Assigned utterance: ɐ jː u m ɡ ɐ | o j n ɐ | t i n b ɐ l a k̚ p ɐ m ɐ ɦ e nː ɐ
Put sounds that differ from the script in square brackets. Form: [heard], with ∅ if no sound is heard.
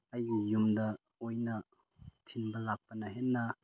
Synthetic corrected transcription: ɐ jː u m [d] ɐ | o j n ɐ | [tʰ] i n b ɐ l a k̚ p ɐ [n] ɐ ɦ e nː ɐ